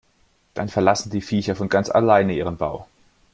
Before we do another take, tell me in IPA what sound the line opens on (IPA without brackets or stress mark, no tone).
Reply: d̥